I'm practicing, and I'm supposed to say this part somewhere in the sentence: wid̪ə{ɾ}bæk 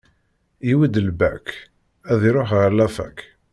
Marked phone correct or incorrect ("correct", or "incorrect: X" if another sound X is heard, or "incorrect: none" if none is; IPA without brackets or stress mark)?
incorrect: l